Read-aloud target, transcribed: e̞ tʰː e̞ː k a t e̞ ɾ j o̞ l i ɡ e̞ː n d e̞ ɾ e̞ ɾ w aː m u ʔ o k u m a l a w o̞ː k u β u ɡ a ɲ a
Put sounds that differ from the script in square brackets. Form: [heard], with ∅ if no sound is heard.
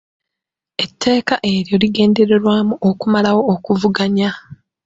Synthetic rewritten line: e̞ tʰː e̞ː k a [ʔ] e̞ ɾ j o̞ l i ɡ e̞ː n d e̞ ɾ e̞ ɾ w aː m u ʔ o k u m a l a w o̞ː k u [v] u ɡ a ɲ a